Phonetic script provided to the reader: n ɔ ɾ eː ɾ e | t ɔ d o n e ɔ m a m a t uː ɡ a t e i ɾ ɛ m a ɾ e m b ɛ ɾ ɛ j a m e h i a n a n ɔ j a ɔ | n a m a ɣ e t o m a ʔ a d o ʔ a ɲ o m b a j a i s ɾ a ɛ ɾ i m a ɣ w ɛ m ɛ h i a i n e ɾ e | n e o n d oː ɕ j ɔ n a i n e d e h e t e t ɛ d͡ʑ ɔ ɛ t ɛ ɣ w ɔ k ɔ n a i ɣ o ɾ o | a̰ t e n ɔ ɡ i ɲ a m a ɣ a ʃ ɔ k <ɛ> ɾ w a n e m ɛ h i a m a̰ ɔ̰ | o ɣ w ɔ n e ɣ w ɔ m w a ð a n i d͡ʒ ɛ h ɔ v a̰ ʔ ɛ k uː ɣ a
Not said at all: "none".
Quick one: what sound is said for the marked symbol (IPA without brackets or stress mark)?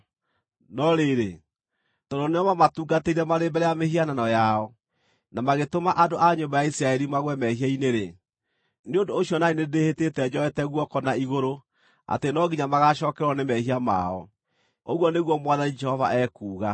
ɛ